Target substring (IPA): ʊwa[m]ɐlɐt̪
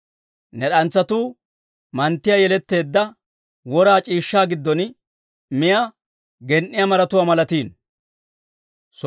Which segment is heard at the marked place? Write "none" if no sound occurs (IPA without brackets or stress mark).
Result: m